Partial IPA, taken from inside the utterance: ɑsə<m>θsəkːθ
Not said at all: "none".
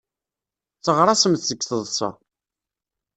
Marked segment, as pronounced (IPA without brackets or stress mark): m